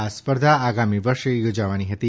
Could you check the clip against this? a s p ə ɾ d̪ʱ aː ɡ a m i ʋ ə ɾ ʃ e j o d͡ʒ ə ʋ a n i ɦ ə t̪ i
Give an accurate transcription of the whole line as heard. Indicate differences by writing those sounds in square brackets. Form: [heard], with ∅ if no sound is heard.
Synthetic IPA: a s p ə ɾ d̪ʱ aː ɡ a m i ʋ ə ɾ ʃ e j o d͡ʒ [a] ʋ a n i ɦ ə t̪ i